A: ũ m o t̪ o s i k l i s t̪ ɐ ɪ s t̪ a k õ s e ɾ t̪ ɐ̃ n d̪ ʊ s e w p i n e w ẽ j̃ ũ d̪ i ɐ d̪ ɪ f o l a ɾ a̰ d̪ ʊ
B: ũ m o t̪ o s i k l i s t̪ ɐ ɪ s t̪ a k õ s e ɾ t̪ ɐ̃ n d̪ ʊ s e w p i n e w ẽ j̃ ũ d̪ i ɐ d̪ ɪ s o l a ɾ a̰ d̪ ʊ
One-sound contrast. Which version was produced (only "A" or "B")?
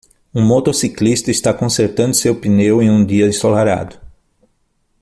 B